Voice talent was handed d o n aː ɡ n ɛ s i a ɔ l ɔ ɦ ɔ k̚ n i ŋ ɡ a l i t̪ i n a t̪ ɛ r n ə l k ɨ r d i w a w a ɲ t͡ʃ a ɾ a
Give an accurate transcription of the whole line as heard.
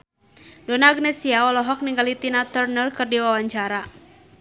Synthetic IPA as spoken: d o n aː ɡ n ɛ s i a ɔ l ɔ ɦ ɔ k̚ n i ŋ ɡ a l i t̪ i n a t̪ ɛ r n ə l k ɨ r d i w a w a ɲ t͡ʃ a ɾ a